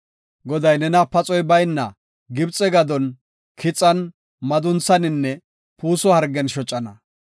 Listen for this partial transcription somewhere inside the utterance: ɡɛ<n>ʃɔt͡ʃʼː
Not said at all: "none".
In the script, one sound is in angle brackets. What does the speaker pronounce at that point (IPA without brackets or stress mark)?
n